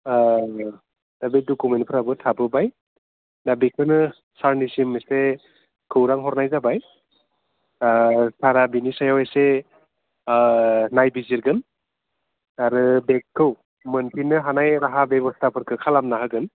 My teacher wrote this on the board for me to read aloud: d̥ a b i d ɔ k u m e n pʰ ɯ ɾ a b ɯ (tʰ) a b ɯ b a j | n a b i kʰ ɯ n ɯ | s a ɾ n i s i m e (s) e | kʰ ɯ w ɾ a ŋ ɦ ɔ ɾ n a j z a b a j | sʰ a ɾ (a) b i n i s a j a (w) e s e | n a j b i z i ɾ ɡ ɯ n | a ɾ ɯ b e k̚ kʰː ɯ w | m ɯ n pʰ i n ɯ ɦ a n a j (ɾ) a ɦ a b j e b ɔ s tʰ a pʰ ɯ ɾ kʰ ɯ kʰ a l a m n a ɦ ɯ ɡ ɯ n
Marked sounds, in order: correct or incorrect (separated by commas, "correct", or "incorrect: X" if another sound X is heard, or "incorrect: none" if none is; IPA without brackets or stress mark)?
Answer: correct, correct, correct, correct, correct